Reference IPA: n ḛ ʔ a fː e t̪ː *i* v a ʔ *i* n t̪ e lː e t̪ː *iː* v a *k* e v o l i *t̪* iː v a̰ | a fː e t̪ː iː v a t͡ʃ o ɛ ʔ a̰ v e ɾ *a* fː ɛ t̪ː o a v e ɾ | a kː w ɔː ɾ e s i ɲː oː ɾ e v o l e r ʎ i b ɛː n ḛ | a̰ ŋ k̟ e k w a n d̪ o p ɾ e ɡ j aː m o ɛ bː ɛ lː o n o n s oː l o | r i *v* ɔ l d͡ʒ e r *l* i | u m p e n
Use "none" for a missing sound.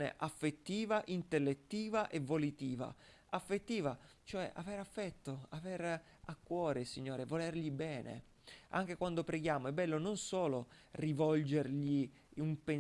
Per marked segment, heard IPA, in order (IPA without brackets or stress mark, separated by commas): iː, i, iː, ʔ, t̪, a, v, ʎ